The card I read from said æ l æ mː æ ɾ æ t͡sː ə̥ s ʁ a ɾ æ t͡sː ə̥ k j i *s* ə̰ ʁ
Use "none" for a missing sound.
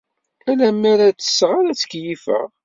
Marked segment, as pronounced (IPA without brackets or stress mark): f